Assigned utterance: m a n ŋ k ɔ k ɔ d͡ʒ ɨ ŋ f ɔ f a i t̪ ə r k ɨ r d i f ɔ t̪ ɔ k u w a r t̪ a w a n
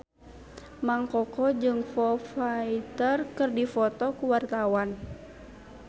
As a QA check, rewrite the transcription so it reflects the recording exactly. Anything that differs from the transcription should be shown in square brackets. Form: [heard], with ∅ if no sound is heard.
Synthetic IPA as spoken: m a [∅] ŋ k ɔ k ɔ d͡ʒ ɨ ŋ f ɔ f a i t̪ ə r k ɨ r d i f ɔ t̪ ɔ k u w a r t̪ a w a n